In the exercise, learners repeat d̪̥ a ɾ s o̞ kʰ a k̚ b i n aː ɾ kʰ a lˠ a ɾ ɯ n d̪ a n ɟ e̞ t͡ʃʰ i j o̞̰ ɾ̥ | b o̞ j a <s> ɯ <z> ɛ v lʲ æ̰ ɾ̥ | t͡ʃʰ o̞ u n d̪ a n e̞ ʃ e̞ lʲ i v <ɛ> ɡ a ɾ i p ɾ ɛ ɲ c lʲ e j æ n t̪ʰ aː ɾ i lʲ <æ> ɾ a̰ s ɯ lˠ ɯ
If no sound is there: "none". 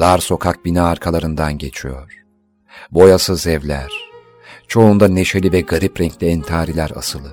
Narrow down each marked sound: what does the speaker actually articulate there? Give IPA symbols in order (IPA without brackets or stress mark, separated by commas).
s, z, ɛ, æ